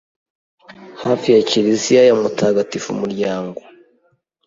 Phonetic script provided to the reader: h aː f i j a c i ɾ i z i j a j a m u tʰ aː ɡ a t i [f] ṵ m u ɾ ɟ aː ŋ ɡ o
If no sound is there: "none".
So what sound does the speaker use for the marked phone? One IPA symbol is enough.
f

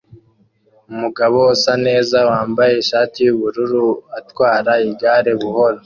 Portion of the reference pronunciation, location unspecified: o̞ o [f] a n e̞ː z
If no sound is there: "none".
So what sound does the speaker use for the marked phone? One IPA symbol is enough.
s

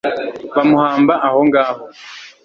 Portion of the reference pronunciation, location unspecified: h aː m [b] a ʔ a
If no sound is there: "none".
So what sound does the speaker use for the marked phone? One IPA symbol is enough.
b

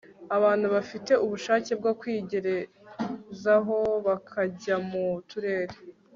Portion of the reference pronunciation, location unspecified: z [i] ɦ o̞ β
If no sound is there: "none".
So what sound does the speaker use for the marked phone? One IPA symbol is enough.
a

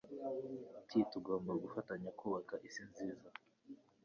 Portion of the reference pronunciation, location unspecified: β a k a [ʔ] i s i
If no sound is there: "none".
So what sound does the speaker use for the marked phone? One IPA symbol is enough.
ʔ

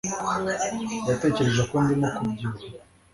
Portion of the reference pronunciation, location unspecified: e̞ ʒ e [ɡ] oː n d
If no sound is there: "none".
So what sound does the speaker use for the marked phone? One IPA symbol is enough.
k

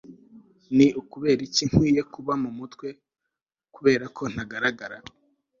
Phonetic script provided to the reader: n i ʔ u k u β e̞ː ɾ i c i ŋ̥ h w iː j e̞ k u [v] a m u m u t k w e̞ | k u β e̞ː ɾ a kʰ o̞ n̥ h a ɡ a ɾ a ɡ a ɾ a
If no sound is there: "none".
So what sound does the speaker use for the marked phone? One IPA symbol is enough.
β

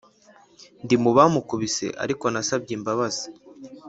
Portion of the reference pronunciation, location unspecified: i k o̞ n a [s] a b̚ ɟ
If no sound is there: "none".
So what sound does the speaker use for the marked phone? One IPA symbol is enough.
s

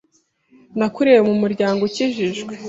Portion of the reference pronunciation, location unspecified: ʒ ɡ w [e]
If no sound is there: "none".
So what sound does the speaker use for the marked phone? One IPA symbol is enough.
e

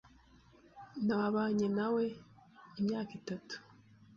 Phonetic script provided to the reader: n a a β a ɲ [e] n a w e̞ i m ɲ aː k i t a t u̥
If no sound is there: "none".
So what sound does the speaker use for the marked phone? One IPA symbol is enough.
e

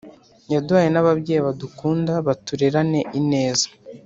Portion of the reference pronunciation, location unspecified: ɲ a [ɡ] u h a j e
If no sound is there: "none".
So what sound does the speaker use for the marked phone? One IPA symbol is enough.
d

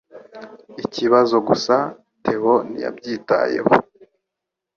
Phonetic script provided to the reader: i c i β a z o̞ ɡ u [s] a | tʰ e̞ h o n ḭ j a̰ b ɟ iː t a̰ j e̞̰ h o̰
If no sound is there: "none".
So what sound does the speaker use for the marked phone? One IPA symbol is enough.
s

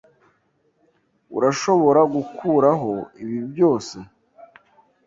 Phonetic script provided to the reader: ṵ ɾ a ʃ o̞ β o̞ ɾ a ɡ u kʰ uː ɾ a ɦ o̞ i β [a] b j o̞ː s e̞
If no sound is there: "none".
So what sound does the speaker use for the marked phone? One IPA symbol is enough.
i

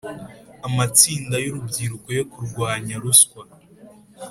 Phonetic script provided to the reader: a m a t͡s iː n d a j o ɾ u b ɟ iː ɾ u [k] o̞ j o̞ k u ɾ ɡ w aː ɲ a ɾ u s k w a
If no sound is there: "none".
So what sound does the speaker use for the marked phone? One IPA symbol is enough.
k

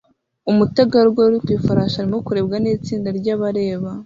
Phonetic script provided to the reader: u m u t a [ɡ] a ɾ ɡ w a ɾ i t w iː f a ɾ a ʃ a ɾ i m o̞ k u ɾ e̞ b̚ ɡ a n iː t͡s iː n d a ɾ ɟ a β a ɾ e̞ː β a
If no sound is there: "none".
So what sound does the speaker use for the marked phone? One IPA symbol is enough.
ɡ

